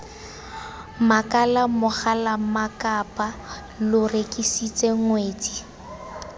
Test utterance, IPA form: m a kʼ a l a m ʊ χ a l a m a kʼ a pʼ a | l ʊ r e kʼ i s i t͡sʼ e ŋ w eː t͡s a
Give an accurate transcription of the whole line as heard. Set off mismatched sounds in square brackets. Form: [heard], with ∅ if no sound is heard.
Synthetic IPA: m a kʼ a l a m ʊ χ a l a m a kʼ a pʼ a | l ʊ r e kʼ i s i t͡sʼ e ŋ w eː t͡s [i]